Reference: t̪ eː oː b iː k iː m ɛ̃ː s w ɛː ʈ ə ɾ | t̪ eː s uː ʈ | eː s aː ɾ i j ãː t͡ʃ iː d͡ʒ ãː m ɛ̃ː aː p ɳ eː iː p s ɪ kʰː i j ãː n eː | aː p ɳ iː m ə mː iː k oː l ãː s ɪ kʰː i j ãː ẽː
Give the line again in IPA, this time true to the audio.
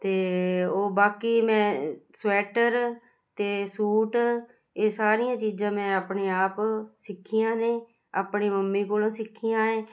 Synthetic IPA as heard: t̪ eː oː b aː k iː m ɛ̃ː s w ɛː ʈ ə ɾ | t̪ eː s uː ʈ | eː s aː ɾ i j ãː t͡ʃ iː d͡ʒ ãː m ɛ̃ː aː p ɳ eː aː p s ɪ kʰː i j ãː n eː | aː p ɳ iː m ə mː iː k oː l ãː s ɪ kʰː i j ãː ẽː